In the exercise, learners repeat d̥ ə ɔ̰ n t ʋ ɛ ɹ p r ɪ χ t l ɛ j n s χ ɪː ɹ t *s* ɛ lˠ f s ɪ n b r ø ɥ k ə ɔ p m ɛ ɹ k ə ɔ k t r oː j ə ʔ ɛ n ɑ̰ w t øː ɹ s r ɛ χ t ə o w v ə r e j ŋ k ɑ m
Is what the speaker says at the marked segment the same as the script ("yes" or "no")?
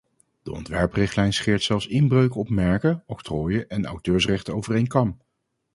yes